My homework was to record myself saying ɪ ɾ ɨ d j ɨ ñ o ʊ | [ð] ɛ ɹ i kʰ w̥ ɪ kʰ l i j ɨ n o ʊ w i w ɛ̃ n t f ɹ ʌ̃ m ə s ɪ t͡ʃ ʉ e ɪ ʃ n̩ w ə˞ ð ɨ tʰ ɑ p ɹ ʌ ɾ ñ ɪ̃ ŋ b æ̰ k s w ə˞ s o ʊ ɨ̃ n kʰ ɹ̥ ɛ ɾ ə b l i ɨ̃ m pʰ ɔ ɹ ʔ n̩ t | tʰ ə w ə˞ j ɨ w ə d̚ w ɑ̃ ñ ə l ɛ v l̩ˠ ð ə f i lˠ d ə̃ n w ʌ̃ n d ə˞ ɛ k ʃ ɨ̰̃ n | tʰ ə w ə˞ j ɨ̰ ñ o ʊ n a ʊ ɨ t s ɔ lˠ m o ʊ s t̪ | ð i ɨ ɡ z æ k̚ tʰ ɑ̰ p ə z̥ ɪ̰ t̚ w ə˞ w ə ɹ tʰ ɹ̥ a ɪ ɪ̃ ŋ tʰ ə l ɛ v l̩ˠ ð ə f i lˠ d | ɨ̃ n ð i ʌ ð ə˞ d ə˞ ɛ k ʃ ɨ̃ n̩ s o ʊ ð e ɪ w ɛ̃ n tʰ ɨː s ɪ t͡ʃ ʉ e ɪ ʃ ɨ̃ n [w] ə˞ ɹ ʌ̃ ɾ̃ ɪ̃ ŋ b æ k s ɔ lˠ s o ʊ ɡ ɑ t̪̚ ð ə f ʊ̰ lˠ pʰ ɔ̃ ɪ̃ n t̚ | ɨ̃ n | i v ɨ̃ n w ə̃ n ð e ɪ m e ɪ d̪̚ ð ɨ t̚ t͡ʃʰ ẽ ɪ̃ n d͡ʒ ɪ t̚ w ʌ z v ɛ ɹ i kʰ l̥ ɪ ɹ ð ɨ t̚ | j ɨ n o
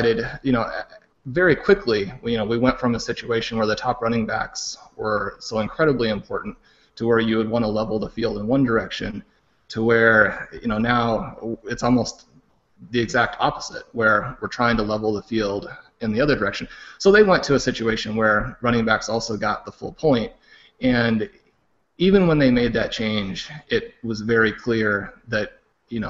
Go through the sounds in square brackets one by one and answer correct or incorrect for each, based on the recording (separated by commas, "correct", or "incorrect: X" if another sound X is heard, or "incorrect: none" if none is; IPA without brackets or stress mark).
incorrect: v, correct